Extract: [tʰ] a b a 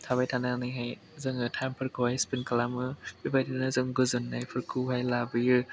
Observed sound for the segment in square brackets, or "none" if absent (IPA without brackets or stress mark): tʰ